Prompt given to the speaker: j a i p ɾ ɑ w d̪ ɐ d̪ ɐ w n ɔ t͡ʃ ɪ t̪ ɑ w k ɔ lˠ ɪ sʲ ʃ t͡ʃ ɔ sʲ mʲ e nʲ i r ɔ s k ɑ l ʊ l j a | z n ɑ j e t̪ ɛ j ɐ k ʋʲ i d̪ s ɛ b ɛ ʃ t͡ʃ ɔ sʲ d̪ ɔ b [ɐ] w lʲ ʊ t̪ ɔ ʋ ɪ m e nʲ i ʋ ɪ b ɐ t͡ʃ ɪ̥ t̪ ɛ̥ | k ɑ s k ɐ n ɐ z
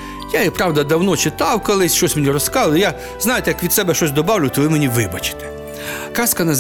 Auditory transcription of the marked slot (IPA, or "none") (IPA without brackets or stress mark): ɑ